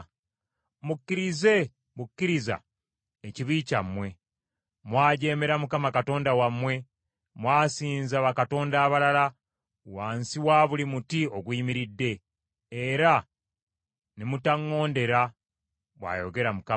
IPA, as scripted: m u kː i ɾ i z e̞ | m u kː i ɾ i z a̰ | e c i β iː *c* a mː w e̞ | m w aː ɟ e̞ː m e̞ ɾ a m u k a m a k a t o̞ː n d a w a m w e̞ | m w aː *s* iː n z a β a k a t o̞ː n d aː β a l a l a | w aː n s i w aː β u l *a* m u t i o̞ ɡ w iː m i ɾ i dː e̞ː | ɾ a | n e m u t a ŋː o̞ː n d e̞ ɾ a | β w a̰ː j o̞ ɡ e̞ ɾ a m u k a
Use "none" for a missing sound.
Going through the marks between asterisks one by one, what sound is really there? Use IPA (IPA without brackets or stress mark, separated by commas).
c, s, i